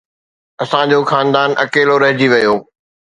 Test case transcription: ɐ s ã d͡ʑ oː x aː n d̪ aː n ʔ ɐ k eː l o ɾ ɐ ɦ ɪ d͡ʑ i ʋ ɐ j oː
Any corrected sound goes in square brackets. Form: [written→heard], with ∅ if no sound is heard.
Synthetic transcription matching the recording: ɐ s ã d͡ʑ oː x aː n d̪ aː n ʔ ɐ k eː l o ɾ ɐ ɦ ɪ d͡ʑ i ʋ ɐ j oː